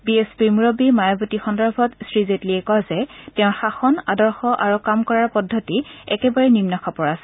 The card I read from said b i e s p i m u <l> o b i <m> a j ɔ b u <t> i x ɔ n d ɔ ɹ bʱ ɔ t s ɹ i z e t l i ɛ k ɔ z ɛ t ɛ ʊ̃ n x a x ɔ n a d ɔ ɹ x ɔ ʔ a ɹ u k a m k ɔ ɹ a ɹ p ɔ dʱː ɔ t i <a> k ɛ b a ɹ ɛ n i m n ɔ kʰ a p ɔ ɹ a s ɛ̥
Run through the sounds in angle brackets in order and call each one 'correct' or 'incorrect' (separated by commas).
incorrect, correct, correct, incorrect